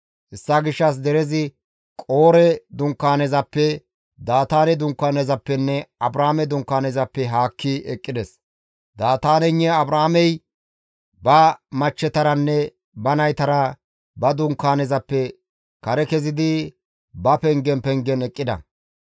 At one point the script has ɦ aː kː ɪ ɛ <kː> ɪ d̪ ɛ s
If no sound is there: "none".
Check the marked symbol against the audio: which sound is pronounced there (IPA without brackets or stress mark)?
kʼː